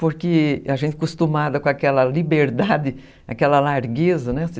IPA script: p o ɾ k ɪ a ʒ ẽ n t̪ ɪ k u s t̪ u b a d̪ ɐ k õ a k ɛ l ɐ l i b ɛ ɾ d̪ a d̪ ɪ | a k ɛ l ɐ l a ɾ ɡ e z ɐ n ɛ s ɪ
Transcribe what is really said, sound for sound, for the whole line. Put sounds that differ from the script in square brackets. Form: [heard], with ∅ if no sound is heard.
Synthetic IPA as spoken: p o ɾ k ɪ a ʒ ẽ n t̪ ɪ k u s t̪ u [m] a d̪ ɐ k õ a k ɛ l ɐ l i b [e] ɾ d̪ a d̪ ɪ | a k ɛ l ɐ l a ɾ ɡ e z ɐ n ɛ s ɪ